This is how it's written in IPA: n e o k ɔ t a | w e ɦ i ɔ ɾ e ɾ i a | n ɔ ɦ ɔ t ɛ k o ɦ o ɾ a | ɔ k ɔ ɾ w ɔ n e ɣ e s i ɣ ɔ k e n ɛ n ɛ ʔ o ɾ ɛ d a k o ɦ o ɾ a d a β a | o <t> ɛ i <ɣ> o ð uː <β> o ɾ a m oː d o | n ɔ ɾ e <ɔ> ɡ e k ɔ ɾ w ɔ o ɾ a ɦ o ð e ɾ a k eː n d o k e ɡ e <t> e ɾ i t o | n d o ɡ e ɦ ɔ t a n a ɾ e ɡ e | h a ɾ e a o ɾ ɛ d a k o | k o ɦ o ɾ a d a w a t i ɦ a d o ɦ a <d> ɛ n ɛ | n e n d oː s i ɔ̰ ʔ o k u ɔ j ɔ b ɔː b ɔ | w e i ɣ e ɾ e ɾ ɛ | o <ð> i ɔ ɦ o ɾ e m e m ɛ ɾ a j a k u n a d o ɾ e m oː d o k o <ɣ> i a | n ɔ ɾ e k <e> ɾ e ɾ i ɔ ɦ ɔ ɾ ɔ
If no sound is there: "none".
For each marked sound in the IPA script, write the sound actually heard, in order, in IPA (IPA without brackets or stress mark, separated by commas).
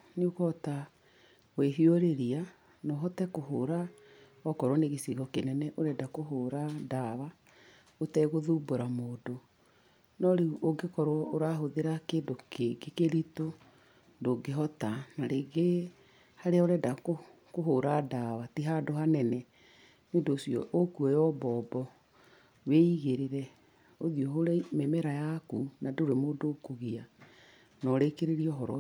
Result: t, ɣ, b, o, k, n, ð, ɣ, e